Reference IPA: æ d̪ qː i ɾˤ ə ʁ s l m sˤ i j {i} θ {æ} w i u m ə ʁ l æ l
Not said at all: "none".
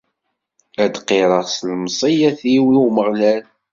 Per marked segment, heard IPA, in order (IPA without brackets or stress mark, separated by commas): æ, i